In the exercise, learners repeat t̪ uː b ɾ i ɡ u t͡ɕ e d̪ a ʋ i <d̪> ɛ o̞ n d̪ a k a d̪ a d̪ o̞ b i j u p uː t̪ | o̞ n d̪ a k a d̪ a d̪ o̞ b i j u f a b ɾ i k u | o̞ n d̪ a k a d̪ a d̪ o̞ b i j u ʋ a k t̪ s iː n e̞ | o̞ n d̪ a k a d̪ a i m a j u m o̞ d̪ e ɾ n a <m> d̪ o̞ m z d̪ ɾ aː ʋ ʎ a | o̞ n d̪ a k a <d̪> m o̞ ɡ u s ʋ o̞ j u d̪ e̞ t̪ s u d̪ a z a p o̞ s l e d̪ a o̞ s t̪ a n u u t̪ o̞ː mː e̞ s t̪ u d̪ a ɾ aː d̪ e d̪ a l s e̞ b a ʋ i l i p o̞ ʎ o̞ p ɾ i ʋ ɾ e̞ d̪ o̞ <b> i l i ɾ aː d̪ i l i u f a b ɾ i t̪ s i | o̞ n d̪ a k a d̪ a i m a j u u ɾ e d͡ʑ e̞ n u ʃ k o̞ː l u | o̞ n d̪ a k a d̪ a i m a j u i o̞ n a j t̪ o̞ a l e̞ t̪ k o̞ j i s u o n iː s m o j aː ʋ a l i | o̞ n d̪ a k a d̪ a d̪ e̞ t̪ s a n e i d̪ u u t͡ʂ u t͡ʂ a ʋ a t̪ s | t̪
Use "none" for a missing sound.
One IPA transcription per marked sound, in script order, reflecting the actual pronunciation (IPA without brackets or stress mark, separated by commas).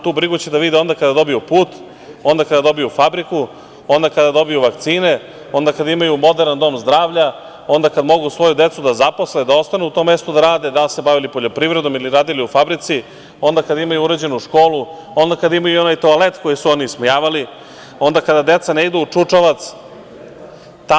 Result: d̪, n, d̪, m